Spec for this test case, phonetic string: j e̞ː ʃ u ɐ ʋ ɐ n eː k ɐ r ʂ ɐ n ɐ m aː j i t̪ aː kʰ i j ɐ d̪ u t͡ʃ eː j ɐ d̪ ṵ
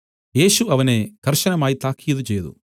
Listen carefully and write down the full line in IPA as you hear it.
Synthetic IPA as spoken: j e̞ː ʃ u ɐ ʋ ɐ n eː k ɐ ɾ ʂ ɐ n ɐ m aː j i t̪ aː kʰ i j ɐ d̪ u t͡ʃ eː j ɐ d̪ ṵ